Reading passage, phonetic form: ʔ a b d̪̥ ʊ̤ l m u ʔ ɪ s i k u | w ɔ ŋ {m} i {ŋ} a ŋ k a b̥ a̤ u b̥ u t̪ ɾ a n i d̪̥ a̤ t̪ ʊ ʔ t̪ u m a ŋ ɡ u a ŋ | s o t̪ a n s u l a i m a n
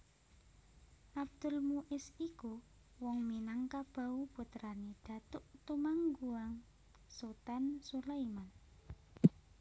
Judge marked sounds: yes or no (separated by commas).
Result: yes, no